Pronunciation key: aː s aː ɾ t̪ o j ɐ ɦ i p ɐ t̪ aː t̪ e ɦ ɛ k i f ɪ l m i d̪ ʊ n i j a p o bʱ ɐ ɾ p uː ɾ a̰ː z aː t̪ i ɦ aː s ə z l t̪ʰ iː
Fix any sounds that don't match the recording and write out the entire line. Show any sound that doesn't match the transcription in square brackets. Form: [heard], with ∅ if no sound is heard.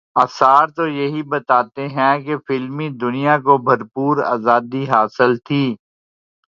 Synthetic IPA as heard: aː s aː ɾ t̪ o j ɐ ɦ i [b] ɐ t̪ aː t̪ e ɦ [ɛ̃] k [e] f ɪ l m i d̪ ʊ n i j a [k] o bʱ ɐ ɾ p uː ɾ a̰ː z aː [d̪] i ɦ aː s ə [∅] l t̪ʰ iː